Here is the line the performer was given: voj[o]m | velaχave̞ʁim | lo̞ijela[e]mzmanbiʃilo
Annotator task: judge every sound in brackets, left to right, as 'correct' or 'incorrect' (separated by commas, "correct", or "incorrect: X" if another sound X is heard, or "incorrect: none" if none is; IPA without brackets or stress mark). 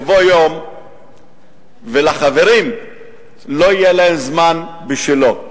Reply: correct, correct